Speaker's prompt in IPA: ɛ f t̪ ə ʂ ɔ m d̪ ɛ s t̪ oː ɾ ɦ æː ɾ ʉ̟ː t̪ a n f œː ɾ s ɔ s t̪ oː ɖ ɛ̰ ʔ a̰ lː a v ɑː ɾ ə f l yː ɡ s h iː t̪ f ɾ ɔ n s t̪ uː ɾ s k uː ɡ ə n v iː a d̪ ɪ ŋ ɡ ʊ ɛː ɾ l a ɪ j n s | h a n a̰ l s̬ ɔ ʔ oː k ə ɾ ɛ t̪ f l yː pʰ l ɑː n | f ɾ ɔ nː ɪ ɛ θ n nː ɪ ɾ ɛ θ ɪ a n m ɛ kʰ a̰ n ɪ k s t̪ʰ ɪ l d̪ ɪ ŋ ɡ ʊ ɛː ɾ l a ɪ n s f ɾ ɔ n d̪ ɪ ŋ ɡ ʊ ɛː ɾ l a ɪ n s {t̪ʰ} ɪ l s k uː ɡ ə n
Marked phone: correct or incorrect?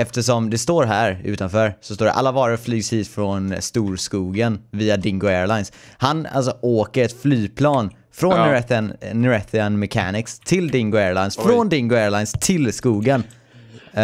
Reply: correct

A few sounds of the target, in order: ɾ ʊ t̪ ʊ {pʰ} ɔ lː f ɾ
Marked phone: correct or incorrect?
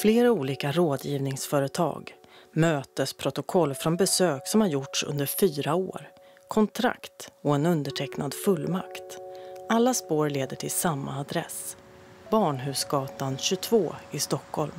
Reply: incorrect: kʰ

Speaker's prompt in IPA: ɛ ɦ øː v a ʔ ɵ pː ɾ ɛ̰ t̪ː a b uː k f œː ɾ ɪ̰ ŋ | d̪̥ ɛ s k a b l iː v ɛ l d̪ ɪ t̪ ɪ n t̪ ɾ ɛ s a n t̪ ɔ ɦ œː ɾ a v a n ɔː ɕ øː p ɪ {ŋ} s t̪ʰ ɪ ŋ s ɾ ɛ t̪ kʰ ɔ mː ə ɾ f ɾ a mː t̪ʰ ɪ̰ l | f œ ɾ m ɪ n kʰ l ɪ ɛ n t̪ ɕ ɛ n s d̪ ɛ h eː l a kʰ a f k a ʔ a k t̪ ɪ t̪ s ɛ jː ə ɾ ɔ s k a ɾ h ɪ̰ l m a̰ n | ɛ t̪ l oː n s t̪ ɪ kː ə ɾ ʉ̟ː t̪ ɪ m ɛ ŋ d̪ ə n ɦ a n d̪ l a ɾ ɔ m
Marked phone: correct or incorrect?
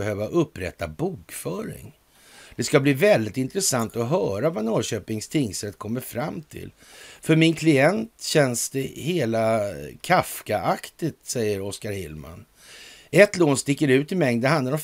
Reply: correct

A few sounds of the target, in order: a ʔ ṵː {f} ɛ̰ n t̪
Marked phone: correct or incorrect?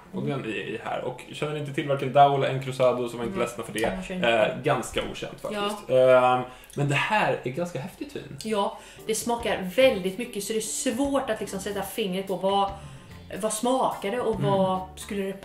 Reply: incorrect: ɕ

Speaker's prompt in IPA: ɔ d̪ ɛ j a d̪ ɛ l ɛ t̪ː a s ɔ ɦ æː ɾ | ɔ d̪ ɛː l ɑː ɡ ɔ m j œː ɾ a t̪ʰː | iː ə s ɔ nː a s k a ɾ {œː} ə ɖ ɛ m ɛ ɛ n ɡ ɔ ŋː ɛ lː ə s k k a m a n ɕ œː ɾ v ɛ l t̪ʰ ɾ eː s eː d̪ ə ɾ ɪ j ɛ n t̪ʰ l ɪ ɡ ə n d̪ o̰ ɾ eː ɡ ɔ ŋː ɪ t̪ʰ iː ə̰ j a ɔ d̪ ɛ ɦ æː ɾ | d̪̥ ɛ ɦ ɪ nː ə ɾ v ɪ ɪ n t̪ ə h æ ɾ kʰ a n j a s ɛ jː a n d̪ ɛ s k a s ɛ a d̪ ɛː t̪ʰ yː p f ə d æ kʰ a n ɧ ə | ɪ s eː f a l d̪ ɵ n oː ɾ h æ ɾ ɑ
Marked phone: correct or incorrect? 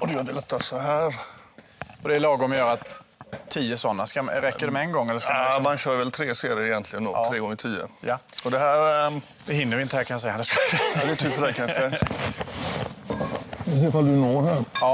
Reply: incorrect: ɛː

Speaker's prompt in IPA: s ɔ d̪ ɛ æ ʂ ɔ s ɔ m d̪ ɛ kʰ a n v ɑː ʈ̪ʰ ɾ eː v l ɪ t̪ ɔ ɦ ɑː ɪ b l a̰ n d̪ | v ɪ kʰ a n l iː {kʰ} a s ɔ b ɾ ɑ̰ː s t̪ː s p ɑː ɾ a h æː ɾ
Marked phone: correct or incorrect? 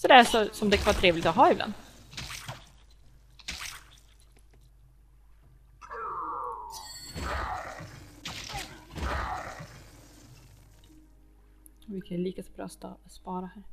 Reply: incorrect: k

